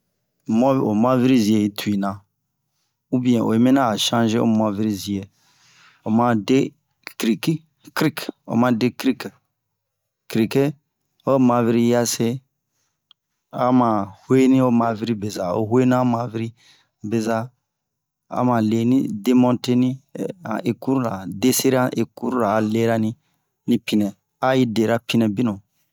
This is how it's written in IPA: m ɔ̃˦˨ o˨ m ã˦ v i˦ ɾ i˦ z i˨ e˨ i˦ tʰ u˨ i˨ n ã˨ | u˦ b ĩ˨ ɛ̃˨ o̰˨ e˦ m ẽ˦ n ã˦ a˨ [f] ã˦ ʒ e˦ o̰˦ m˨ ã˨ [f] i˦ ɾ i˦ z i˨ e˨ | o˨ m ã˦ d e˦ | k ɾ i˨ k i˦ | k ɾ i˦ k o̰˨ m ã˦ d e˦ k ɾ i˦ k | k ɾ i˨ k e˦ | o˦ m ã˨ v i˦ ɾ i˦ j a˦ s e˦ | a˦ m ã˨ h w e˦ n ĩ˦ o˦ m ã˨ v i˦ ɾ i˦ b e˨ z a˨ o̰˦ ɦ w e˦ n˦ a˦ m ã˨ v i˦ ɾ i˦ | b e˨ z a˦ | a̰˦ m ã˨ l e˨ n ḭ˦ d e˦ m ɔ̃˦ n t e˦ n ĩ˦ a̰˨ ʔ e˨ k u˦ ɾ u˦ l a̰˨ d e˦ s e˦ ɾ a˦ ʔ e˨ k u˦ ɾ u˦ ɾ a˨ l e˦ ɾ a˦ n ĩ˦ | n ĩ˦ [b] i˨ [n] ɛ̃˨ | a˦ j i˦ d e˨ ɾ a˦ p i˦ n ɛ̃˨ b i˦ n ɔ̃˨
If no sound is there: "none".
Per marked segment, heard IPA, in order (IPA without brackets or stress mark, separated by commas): ʃ, v, p, n